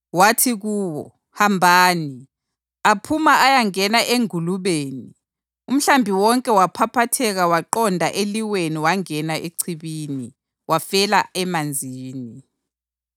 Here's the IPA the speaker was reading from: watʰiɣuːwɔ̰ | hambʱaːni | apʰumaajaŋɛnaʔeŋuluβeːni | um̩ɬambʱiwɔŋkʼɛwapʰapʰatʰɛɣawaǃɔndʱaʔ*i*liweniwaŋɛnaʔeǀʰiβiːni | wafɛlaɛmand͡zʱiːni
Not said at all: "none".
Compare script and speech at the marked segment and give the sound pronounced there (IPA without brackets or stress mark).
e